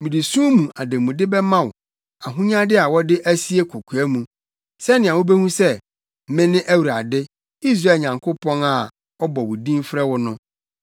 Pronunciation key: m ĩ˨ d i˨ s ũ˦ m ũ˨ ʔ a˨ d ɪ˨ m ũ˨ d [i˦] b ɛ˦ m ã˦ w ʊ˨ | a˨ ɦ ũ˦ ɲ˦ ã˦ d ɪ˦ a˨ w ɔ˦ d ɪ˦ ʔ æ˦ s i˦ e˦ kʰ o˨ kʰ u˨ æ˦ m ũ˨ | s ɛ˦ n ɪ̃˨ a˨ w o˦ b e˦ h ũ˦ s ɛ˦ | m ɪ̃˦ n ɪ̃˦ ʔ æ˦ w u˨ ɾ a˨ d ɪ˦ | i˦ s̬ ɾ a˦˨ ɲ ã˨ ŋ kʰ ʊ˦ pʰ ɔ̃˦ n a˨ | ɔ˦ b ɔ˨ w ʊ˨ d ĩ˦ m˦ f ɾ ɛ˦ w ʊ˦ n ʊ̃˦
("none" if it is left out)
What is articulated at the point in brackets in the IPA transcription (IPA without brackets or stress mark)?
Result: ɪ˦